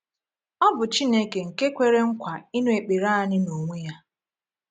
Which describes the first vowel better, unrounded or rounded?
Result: rounded